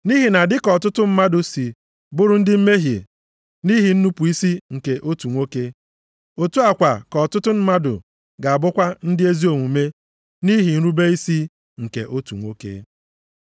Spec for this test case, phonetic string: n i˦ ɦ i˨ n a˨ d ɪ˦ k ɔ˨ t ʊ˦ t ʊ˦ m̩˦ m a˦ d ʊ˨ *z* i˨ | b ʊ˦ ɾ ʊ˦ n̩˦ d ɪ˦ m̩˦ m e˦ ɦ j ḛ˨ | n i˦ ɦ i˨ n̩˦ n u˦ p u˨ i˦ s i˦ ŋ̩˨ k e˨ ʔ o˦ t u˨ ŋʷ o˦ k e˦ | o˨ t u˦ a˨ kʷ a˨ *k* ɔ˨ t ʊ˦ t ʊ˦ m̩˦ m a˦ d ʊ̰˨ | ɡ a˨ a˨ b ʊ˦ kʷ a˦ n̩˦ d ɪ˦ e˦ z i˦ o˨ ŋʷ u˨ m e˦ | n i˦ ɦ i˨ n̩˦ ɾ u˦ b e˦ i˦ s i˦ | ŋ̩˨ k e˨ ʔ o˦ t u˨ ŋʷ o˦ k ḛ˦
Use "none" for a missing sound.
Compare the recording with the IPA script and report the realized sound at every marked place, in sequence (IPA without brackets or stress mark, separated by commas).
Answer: s, k